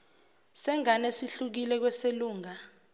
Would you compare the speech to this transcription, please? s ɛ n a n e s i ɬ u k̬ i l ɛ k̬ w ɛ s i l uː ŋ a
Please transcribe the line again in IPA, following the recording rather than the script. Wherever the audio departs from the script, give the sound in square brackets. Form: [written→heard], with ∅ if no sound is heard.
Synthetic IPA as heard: s ɛ [n→ŋ] a n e s i ɬ u k̬ i l ɛ k̬ w ɛ s [i→e] l uː ŋ a

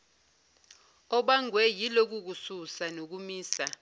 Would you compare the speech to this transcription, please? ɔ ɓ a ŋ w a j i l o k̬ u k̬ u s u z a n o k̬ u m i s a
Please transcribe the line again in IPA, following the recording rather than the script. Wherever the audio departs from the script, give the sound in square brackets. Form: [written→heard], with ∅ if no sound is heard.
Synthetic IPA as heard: ɔ ɓ a ŋ w [a→ɛ] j i l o k̬ u k̬ u s u [z→s] a n o k̬ u m [i→iː] s a

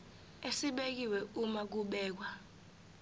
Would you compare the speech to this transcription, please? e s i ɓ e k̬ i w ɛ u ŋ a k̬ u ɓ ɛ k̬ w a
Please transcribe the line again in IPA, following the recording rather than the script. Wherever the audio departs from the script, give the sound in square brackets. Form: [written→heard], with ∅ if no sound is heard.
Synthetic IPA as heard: e s i ɓ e k̬ i w ɛ u [ŋ→m] a k̬ u ɓ [ɛ→ɛː] k̬ w a

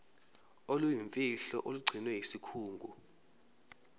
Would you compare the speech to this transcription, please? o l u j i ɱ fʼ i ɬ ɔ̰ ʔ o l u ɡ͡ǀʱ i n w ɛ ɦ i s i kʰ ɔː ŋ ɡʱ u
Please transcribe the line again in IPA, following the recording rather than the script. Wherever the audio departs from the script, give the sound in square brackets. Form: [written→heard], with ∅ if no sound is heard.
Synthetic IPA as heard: o l u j i ɱ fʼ i ɬ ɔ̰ ʔ o l u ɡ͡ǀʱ i n w ɛ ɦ i s i kʰ [ɔː→uː] ŋ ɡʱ u

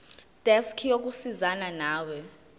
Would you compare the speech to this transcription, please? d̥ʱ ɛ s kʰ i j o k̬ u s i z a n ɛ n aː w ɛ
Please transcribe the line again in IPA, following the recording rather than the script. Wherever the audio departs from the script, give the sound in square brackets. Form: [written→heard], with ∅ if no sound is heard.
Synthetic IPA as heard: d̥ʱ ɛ s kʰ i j o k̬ u s i z a n [ɛ→a] n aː w ɛ

